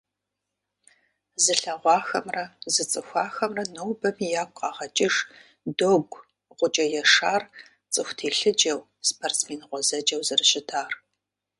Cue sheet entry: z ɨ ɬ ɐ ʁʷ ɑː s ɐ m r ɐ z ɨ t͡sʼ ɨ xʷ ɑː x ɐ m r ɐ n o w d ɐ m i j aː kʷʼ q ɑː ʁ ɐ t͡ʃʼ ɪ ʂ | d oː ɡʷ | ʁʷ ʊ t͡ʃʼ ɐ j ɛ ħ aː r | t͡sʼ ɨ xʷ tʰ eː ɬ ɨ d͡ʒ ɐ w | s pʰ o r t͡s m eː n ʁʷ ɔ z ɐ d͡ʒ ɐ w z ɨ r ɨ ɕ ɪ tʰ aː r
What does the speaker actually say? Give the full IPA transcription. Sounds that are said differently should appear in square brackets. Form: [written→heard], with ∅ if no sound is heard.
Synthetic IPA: z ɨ ɬ ɐ ʁʷ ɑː [s→x] ɐ m r ɐ z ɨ t͡sʼ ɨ xʷ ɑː x ɐ m r ɐ n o w [d→b] ɐ m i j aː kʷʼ q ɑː ʁ ɐ t͡ʃʼ ɪ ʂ | d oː ɡʷ | ʁʷ ʊ t͡ʃʼ ɐ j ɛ [ħ→ʂ] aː r | t͡sʼ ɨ xʷ tʰ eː ɬ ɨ d͡ʒ ɐ w | s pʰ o r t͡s m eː n ʁʷ ɔ z ɐ d͡ʒ ɐ w z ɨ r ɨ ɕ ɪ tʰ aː r